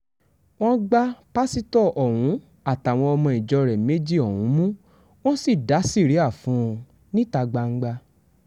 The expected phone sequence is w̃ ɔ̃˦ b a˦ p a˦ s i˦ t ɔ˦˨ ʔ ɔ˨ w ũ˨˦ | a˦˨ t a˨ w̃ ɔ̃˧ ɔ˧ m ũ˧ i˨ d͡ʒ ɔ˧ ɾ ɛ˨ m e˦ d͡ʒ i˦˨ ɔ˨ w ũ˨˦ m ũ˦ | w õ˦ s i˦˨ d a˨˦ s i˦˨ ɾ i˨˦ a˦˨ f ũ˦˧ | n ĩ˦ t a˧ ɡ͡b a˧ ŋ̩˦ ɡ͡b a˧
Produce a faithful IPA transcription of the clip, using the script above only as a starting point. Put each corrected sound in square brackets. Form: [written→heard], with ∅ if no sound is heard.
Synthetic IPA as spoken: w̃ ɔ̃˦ [b→ɡ͡b] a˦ p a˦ s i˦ t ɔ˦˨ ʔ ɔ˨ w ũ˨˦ | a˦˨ t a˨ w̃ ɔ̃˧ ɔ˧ m [ũ˧→ɔ̃˧] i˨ d͡ʒ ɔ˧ ɾ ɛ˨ m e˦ d͡ʒ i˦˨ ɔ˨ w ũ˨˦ m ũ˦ | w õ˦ s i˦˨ d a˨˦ s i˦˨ ɾ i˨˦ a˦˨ f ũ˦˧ | n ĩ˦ t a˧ ɡ͡b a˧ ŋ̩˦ ɡ͡b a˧